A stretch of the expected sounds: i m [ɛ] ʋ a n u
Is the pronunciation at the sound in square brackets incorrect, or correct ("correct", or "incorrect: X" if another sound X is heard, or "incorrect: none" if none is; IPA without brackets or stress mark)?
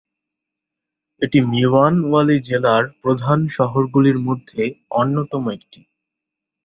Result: incorrect: i